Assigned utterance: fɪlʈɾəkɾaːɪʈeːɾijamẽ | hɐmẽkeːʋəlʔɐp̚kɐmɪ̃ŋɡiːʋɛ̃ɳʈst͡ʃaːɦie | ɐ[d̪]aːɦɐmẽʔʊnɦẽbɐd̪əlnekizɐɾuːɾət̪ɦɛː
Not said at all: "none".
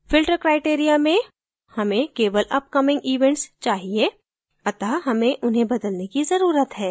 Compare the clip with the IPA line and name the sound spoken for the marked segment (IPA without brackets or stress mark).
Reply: t̪